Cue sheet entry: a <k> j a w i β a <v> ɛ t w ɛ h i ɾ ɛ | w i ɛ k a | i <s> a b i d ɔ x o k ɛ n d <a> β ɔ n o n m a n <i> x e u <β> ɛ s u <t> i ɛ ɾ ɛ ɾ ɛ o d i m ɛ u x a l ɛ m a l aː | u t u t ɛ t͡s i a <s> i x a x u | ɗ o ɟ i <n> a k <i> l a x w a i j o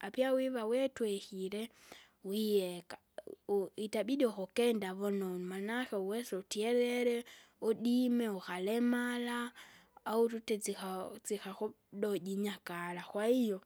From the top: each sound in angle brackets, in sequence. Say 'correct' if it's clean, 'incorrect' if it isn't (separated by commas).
incorrect, incorrect, incorrect, correct, incorrect, incorrect, correct, incorrect, incorrect, incorrect